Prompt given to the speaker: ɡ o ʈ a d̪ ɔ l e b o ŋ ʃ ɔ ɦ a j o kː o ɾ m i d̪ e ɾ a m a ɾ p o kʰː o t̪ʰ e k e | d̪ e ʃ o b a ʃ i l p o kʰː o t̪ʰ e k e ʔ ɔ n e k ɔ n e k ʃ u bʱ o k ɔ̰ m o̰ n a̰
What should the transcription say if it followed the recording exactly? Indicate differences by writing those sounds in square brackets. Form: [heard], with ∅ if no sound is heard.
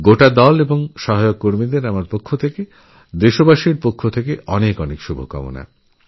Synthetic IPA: ɡ o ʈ a d̪ ɔ l e b o ŋ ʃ ɔ ɦ a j o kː o ɾ m i d̪ e ɾ a m a ɾ p o kʰː o t̪ʰ e k e | d̪ e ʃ o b a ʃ i [ɾ] p o kʰː o t̪ʰ e k e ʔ ɔ n e k ɔ n e k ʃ u bʱ o k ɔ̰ m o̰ n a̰

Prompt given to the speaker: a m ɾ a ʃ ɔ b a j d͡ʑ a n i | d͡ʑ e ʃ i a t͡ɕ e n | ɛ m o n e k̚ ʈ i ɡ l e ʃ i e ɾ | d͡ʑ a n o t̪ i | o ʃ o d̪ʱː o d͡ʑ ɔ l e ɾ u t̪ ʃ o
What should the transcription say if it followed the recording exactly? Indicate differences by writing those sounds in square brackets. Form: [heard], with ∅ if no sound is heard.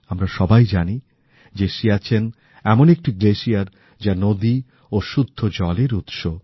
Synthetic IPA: a m ɾ a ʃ ɔ b a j d͡ʑ a n i | d͡ʑ e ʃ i a [t͡ɕʰ] e n | ɛ m o n e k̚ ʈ i ɡ l e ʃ i [a] ɾ | d͡ʑ a n o [d̪] i | o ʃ [u] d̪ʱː o d͡ʑ ɔ l e ɾ u t̪ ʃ o

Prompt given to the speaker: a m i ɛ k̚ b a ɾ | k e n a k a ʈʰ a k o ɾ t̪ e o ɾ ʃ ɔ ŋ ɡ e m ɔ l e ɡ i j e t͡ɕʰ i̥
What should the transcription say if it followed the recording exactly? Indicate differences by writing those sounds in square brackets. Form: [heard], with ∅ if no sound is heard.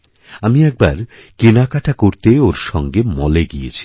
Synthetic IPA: a m i ɛ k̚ b a ɾ | k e n a k a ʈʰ a k o ɾ t̪ e o ɾ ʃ ɔ ŋ ɡ e m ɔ l e ɡ i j e t͡ɕʰ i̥

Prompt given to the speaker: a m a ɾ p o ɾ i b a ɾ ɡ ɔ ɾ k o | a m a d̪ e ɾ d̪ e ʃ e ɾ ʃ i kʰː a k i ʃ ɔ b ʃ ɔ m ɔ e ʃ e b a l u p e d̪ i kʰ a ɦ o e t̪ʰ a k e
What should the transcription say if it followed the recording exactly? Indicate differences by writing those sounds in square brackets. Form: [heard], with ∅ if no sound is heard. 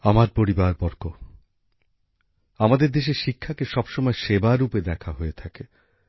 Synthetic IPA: a m a ɾ p o ɾ i b a ɾ [b] ɔ ɾ k o | a m a d̪ e ɾ d̪ e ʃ e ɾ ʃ i kʰː a k [e] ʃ ɔ b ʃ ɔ m ɔ e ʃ e b a [ɾ] u p e d̪ [ɛ] kʰ a ɦ o e t̪ʰ a k e

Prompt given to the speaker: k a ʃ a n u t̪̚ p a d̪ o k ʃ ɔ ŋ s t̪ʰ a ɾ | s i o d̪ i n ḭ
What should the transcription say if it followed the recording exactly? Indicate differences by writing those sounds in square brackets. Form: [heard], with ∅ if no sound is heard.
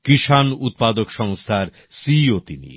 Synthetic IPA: k [i] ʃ a n u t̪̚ p a d̪ o k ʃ ɔ ŋ s t̪ʰ a ɾ | s i o [t̪] i n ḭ

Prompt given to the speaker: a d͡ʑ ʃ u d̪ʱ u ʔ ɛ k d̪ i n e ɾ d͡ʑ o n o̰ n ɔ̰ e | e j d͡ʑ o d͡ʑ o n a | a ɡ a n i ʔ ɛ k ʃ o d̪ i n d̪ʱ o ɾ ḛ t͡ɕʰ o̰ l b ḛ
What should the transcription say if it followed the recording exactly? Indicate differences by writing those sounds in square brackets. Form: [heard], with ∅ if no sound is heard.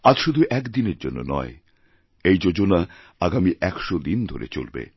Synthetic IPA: a d͡ʑ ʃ u d̪ʱ u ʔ ɛ k d̪ i n e ɾ d͡ʑ o [nː] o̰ n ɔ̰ e | e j d͡ʑ o d͡ʑ o n a | a ɡ a [m] i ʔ ɛ k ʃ o d̪ i n d̪ʱ o ɾ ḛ [t͡ɕ] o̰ l b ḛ

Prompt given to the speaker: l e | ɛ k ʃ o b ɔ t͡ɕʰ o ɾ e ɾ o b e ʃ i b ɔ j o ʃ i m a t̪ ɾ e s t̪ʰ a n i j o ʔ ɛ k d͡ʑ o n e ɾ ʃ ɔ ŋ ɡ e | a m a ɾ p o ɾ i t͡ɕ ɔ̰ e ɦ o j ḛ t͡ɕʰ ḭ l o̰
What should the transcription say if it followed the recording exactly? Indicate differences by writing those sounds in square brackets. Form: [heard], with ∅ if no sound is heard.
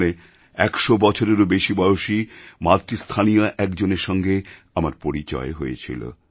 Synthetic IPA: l e | ɛ k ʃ o b ɔ t͡ɕʰ o ɾ e ɾ o b e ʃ i b ɔ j o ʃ i m a t̪ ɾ [i] s t̪ʰ a n i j o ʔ ɛ k d͡ʑ o n e ɾ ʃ ɔ ŋ ɡ e | a m a ɾ p o ɾ i t͡ɕ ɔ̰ e ɦ o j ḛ t͡ɕʰ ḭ l o̰

